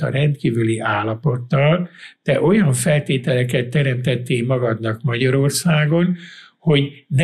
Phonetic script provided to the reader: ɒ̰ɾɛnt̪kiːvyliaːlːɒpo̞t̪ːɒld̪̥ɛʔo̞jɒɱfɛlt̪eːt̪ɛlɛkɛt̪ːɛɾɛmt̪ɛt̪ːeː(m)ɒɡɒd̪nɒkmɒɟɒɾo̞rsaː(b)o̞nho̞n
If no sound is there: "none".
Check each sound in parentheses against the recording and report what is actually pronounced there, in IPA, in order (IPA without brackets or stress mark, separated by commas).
m, ɡ